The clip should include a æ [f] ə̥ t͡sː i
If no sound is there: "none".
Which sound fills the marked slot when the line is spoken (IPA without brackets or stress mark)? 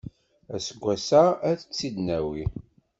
θ